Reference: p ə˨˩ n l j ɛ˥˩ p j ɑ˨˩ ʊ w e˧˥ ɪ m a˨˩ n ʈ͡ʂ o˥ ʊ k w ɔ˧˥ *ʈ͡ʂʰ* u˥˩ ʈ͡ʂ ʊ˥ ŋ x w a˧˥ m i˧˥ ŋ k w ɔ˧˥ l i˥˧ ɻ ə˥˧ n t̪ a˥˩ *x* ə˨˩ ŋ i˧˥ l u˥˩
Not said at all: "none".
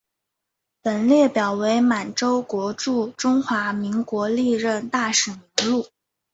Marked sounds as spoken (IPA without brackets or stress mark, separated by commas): ʈ͡ʂ, ʂ